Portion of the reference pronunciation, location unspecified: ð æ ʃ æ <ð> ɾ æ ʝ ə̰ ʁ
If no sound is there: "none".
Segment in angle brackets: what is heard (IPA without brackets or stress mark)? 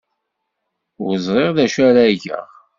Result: none